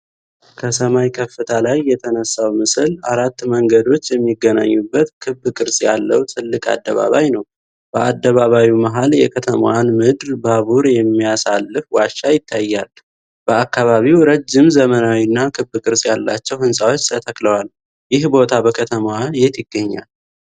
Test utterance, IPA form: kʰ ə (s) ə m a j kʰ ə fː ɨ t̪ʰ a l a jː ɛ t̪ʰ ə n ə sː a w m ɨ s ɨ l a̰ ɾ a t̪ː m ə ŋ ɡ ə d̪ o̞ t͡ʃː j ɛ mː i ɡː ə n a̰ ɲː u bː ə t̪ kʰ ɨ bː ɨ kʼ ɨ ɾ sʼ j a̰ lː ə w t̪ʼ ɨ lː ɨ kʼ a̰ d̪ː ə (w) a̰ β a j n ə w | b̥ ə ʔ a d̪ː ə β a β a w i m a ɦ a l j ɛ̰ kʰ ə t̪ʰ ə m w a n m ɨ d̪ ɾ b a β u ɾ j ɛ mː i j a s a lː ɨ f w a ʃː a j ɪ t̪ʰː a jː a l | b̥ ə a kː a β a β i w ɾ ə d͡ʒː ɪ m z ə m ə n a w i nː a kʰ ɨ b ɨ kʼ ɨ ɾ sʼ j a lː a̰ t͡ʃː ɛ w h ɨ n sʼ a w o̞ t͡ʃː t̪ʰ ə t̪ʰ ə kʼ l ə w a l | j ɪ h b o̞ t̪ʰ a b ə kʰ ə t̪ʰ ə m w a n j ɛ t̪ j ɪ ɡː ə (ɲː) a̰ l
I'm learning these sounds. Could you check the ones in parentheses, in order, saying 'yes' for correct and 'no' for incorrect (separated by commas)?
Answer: yes, no, yes